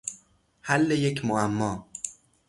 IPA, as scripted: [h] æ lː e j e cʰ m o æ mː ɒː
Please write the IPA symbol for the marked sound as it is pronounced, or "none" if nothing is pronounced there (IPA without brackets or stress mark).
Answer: h